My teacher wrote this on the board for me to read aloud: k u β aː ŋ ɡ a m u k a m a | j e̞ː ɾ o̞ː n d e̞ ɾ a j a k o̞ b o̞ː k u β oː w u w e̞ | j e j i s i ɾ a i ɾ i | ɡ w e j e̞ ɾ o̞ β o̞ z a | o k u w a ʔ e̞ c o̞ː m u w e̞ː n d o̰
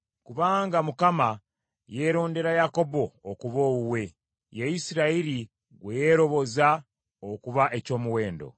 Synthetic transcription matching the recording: k u β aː ŋ ɡ a m u k a m a | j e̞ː ɾ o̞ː n d e̞ ɾ a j a k o̞ b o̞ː k u β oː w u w e̞ | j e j i s i ɾ a i ɾ i | ɡ w e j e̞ ɾ o̞ β o̞ z a | o k u β a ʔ e̞ c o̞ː m u w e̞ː n d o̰